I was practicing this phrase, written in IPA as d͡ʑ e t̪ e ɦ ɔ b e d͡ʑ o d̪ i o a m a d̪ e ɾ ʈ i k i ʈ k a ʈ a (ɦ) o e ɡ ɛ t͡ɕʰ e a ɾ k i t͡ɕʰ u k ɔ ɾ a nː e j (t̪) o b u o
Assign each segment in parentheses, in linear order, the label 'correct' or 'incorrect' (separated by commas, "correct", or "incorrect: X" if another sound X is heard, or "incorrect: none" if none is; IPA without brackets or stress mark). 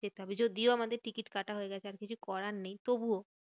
correct, correct